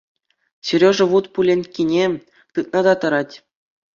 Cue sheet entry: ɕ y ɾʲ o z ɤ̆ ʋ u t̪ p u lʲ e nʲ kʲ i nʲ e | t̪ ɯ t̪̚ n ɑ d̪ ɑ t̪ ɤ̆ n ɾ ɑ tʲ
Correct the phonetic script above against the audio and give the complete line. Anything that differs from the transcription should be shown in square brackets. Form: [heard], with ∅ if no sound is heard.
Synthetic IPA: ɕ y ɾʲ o [ʐ] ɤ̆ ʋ u t̪ p u lʲ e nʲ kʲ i nʲ e | t̪ ɯ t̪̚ n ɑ d̪ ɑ t̪ ɤ̆ [∅] ɾ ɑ tʲ